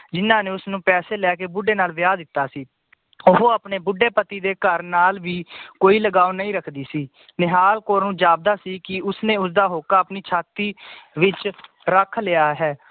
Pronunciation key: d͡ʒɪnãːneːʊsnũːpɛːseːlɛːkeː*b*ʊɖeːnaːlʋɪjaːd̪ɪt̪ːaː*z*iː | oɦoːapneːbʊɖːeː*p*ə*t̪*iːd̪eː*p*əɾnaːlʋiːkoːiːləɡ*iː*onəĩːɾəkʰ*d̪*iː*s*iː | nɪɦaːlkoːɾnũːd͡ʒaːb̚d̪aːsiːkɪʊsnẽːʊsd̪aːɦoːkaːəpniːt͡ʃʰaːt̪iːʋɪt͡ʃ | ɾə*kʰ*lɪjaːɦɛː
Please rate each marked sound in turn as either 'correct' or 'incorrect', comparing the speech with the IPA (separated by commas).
correct, incorrect, correct, correct, incorrect, incorrect, correct, correct, correct